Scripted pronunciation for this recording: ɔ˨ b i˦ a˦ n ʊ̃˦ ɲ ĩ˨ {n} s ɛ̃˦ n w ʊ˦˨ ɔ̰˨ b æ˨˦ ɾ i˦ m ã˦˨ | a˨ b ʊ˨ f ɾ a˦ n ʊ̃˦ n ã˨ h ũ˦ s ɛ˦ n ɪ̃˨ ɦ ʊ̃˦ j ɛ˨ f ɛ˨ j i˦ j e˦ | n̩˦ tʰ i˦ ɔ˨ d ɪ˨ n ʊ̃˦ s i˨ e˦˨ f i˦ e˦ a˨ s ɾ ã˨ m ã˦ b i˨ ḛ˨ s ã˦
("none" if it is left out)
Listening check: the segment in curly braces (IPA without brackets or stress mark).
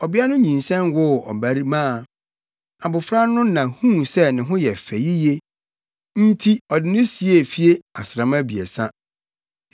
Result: n